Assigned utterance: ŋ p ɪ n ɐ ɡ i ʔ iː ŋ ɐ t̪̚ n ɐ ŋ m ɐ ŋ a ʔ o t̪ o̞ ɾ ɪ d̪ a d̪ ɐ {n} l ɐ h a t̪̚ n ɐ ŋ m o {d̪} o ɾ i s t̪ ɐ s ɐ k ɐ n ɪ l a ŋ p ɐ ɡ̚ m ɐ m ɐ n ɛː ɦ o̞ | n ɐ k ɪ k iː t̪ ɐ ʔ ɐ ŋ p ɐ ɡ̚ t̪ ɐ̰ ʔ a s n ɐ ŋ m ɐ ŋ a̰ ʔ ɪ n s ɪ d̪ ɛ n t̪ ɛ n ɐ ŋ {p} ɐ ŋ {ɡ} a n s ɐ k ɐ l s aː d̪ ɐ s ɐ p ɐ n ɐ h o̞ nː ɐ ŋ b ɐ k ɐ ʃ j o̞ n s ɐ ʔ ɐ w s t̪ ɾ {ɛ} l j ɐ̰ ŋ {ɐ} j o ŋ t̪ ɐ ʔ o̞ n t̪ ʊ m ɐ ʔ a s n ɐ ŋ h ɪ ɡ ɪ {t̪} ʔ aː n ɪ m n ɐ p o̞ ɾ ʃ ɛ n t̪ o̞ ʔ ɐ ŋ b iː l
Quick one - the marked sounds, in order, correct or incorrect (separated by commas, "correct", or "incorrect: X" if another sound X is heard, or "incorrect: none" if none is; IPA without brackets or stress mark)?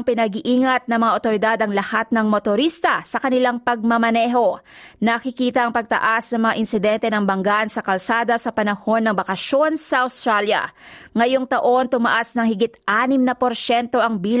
incorrect: ŋ, incorrect: t̪, incorrect: b, correct, incorrect: a, correct, correct